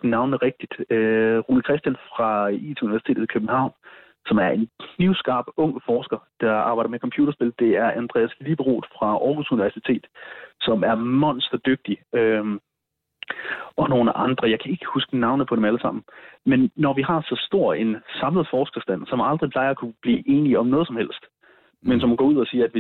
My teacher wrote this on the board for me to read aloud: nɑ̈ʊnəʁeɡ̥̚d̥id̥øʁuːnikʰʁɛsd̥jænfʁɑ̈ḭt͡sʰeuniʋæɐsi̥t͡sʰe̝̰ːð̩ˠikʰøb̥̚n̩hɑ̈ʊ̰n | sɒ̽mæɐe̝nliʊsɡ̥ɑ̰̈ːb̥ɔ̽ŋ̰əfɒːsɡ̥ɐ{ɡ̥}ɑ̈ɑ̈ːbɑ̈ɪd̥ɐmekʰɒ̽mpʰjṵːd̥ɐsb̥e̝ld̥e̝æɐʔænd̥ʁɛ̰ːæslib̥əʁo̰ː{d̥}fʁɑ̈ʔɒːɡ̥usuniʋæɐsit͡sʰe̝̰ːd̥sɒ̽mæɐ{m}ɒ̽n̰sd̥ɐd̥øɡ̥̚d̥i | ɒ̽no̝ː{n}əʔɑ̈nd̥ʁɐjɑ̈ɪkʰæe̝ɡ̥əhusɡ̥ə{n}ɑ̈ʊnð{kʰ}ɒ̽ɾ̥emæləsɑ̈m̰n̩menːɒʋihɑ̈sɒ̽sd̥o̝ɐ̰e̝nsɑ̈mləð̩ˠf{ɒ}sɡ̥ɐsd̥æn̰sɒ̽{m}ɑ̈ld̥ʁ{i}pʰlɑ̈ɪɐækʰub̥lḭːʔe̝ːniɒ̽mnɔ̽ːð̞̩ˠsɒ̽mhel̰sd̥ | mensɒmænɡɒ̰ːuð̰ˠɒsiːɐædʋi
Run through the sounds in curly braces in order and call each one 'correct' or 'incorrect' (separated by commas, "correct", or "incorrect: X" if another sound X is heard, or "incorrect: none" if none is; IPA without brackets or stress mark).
incorrect: d̥, correct, correct, correct, correct, incorrect: pʰ, incorrect: ɒː, correct, correct